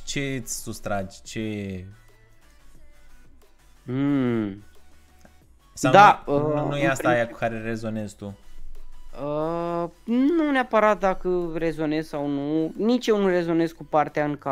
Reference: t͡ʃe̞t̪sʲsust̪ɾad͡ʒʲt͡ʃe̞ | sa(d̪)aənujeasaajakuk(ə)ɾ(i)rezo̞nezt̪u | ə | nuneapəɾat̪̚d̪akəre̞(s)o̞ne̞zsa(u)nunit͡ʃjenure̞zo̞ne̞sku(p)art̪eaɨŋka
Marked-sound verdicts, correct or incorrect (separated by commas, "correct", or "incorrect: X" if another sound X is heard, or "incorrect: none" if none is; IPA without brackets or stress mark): correct, incorrect: a, incorrect: e, incorrect: z, incorrect: w, correct